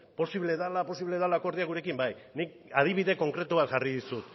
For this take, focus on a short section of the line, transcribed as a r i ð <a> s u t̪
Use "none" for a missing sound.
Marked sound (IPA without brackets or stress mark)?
i